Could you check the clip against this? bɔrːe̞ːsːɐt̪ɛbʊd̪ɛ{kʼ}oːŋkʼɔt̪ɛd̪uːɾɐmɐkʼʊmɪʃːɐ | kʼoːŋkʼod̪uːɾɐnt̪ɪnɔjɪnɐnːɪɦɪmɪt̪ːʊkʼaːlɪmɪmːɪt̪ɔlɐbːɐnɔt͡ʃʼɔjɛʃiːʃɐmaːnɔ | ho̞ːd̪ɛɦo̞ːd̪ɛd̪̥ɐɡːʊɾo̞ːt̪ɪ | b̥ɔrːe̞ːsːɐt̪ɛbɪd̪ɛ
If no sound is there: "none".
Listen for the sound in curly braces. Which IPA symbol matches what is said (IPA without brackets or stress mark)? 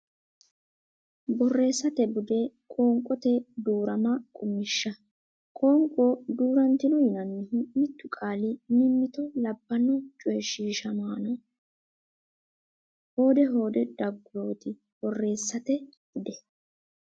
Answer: kʼ